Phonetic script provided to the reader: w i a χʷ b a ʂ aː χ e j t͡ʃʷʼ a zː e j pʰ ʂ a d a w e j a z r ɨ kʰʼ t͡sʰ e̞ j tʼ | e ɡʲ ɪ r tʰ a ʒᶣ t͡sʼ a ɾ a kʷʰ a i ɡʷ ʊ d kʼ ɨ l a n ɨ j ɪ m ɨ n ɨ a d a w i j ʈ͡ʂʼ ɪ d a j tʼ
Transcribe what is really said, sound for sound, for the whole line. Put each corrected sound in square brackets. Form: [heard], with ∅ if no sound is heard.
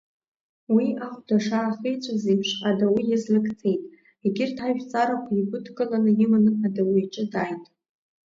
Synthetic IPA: w i a χʷ [d] a ʂ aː χ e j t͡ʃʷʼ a [z] e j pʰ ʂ a d a w [i] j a z [l] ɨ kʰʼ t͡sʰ e̞ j tʼ | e ɡʲ ɪ r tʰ a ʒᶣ t͡sʼ a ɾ a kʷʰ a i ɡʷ ʊ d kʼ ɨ l a n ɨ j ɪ m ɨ n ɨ a d a w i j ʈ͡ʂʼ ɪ d a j tʼ